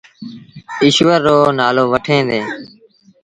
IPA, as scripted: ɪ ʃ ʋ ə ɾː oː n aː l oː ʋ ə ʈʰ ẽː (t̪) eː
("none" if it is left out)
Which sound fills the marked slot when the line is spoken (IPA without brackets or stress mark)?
d̪